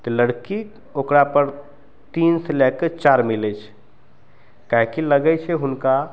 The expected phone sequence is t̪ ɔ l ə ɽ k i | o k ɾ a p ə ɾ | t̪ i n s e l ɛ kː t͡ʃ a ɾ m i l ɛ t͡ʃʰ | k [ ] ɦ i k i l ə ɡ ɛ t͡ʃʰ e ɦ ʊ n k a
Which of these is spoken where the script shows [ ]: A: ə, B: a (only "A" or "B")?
B